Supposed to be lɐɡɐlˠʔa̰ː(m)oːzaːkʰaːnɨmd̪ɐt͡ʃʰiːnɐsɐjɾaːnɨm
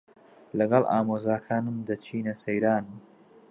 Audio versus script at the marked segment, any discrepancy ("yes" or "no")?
no